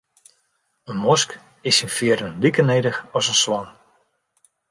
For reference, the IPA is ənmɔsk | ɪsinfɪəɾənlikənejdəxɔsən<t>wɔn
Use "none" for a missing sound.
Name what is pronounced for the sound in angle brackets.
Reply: s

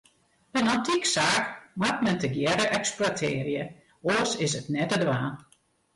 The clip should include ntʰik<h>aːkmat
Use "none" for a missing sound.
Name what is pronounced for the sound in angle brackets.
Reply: s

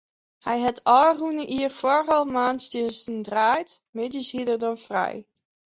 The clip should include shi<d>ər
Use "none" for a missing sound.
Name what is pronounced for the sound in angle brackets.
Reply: d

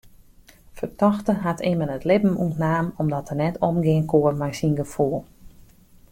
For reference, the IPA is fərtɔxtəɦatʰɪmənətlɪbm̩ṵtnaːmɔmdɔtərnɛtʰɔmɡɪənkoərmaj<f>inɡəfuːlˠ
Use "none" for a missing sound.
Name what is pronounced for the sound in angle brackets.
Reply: s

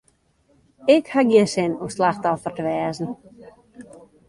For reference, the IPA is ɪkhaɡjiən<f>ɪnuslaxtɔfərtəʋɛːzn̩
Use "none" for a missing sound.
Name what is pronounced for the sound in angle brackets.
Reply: s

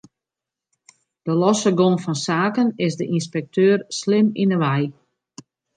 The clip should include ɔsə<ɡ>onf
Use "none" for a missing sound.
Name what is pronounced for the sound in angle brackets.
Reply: ɡ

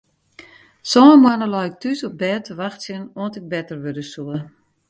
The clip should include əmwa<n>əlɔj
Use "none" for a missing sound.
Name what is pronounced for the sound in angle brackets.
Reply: n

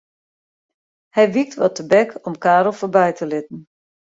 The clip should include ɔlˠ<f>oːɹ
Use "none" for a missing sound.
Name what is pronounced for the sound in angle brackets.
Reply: f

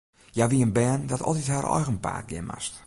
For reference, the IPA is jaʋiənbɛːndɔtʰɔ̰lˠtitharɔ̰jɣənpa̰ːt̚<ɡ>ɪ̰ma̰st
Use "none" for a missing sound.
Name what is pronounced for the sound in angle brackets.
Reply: ɡ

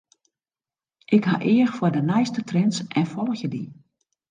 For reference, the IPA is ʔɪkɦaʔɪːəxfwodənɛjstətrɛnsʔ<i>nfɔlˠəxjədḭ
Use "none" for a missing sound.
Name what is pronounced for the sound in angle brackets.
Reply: ɛ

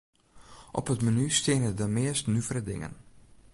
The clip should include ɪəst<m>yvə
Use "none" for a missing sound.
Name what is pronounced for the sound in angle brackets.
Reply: n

